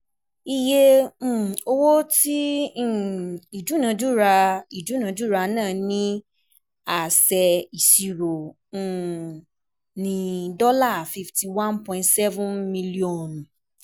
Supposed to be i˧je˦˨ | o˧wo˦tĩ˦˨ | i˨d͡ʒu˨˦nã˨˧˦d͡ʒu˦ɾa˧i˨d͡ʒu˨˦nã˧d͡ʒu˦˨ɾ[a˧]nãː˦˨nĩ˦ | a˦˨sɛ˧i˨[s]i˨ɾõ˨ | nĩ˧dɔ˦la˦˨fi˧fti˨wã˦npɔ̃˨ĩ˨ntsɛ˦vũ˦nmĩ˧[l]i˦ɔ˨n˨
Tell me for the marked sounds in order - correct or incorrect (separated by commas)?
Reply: correct, correct, correct